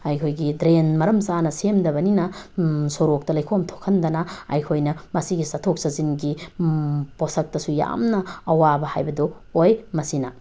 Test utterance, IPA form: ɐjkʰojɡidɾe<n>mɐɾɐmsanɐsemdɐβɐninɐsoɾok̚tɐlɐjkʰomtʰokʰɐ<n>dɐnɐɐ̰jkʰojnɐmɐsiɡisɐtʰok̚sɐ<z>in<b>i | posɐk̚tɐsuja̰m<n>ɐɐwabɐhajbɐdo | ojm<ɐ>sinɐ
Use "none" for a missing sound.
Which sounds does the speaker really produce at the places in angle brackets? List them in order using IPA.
n, n, z, ɡ, n, ɐ

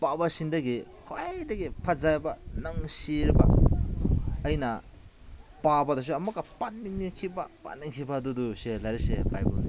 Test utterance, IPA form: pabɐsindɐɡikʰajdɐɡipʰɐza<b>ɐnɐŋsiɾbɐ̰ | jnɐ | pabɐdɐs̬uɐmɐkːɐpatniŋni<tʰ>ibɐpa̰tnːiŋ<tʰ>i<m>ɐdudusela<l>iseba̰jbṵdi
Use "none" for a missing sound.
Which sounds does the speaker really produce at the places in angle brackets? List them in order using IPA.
b, kʰ, kʰ, b, ɾ

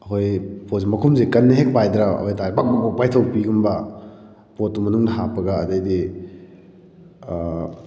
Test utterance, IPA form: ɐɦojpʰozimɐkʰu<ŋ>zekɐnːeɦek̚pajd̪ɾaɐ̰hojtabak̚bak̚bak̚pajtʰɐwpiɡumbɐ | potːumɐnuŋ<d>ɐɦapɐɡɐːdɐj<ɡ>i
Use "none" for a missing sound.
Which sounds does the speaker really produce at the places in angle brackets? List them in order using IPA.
m, n, d

